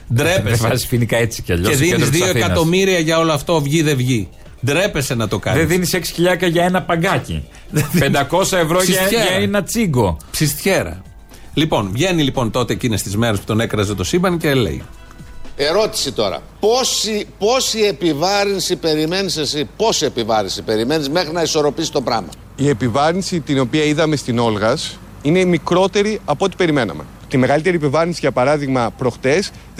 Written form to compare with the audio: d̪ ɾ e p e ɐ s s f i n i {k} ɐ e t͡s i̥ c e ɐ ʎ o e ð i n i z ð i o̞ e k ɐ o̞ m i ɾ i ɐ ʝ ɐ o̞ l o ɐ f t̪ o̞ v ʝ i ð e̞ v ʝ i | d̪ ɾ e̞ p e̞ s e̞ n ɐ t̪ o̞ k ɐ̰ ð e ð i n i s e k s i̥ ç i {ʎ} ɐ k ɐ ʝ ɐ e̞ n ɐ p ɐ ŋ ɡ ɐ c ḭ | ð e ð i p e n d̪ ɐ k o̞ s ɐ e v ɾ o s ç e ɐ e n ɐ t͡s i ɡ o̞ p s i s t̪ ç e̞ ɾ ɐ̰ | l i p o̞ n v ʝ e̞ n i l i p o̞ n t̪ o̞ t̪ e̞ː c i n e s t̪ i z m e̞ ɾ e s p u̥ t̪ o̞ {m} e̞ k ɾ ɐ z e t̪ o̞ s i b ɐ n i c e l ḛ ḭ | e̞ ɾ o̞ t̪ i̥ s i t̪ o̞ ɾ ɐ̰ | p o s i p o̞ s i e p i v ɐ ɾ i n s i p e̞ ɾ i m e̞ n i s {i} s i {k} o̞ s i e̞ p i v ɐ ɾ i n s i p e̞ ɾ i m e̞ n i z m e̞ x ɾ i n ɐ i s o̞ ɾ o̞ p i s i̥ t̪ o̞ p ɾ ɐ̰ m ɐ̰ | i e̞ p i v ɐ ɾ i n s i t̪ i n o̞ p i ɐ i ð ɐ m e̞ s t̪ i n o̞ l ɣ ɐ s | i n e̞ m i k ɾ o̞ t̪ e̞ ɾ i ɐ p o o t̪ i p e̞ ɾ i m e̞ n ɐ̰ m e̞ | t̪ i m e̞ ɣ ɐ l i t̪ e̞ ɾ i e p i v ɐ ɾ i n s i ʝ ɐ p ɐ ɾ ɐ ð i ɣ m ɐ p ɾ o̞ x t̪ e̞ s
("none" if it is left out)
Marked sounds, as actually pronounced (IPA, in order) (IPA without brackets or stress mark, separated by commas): k, ʎ, n, e, p